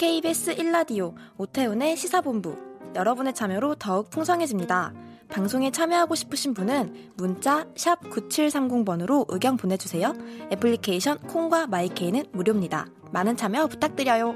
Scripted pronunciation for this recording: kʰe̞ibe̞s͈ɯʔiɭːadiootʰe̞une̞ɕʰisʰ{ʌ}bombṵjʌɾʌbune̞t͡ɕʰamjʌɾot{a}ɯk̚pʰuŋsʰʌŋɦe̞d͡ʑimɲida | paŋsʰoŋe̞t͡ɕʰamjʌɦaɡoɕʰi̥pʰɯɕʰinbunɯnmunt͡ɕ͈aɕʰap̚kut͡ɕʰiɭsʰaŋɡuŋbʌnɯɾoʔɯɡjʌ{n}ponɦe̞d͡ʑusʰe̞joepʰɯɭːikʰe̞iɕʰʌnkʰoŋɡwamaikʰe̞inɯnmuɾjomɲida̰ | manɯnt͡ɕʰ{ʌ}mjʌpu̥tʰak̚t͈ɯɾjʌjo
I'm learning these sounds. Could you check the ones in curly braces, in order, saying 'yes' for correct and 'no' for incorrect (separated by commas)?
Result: no, no, no, no